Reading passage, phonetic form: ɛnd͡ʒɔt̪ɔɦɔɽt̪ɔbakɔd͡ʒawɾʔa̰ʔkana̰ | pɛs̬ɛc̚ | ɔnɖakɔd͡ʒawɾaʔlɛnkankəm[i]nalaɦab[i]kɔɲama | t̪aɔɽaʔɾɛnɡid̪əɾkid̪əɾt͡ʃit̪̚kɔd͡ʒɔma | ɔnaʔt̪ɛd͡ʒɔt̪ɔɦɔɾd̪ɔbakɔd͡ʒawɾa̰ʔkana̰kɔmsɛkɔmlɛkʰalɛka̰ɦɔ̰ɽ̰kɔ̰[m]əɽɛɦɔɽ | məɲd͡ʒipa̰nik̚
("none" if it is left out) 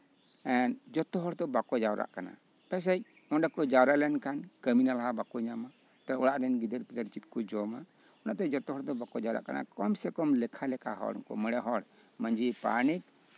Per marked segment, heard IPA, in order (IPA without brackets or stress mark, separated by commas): i, a, m